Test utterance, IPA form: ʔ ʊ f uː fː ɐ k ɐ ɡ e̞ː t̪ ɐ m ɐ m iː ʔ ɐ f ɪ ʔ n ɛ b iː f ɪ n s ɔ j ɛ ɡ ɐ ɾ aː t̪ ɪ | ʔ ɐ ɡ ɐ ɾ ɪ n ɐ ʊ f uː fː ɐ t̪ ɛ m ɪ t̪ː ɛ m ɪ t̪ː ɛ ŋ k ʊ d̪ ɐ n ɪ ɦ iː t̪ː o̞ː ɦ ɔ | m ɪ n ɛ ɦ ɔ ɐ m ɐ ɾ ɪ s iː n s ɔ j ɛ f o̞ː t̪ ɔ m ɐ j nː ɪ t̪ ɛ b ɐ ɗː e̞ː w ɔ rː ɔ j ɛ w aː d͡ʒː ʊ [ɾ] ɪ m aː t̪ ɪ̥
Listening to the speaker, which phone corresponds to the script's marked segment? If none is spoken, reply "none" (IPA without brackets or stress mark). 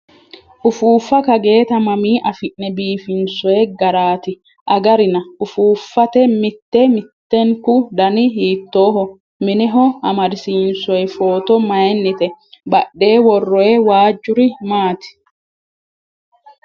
ɾ